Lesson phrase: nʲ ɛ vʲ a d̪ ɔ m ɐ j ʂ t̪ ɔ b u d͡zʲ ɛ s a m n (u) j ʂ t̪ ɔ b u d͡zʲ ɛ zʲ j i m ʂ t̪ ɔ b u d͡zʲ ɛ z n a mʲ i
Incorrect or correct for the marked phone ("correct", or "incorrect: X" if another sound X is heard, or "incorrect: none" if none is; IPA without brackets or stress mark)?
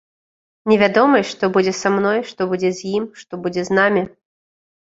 incorrect: ɔ